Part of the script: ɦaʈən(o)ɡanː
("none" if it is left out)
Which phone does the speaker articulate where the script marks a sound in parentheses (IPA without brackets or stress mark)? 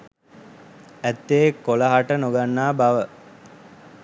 o